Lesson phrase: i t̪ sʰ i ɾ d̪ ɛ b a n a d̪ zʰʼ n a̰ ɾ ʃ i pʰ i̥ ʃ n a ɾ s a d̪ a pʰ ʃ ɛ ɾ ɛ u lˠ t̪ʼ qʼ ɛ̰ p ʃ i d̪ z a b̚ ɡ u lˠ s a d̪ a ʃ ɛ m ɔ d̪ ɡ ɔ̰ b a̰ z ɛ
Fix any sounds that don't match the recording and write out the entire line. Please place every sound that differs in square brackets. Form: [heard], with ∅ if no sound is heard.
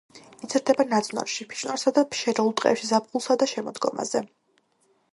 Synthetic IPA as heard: i t̪ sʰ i ɾ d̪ ɛ b a n a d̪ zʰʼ n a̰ ɾ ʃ i pʰ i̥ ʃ n a ɾ s a d̪ a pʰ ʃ ɛ ɾ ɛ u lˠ t̪ʼ qʼ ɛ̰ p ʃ i [∅] z a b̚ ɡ u lˠ s a d̪ a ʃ ɛ m ɔ d̪ ɡ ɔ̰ [m] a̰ z ɛ